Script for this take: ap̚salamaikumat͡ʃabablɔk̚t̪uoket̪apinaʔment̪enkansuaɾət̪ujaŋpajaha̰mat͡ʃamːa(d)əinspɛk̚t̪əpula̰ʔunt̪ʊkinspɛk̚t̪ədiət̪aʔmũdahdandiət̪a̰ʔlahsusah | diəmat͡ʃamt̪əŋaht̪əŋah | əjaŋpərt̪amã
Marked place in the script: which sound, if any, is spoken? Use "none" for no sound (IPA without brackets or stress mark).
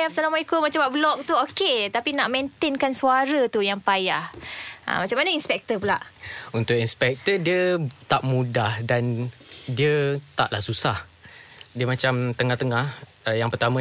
n